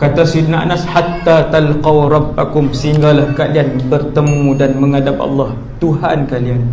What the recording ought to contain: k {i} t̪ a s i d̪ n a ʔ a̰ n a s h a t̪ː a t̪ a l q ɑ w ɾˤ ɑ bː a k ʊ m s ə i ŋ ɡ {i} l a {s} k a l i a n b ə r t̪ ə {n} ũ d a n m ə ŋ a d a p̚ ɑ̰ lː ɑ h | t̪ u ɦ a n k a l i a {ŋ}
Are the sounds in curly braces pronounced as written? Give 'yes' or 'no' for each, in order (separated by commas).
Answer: no, no, no, no, no